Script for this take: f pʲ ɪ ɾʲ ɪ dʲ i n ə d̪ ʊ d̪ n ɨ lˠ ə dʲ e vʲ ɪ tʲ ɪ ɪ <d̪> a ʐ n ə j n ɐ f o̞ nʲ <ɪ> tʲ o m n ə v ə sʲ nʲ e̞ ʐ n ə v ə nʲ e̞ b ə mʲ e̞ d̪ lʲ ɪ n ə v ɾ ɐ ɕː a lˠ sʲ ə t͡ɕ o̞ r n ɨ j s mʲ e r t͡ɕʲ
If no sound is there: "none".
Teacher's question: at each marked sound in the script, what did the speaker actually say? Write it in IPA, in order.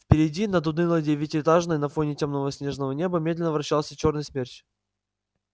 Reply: t̪, ɪ

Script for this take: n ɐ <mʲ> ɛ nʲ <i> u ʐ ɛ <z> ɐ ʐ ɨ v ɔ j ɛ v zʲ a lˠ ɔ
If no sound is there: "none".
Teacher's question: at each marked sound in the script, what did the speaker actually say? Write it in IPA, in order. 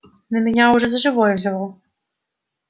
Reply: mʲ, a, z

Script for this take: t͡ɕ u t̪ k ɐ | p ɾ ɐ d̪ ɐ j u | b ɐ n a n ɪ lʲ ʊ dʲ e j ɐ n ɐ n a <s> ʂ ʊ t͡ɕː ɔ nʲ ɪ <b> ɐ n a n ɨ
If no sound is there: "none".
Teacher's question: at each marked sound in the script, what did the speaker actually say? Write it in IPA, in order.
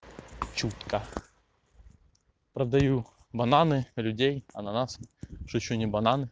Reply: s, b

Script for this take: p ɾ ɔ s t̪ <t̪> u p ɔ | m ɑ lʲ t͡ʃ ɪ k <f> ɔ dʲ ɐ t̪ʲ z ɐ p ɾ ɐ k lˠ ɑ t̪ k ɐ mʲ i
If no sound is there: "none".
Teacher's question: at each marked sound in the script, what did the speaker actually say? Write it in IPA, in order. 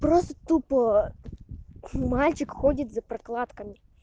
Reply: t̪, x

